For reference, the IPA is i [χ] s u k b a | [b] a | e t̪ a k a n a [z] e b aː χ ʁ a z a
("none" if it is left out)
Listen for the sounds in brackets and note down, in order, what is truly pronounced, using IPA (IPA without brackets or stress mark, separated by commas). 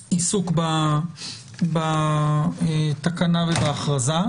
none, b, v